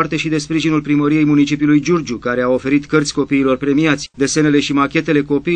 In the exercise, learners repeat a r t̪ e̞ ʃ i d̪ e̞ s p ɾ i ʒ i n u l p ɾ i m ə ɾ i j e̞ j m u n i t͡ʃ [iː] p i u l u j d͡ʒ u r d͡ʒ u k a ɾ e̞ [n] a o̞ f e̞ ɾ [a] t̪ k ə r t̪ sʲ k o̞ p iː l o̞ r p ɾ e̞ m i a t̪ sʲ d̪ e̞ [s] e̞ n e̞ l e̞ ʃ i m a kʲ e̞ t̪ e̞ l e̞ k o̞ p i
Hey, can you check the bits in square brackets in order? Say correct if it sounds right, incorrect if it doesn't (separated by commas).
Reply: incorrect, incorrect, incorrect, correct